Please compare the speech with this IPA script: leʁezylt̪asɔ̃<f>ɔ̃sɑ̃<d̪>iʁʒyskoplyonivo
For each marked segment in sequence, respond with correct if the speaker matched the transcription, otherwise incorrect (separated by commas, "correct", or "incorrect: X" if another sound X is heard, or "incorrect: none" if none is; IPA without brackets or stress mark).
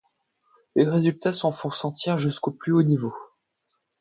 correct, incorrect: t̪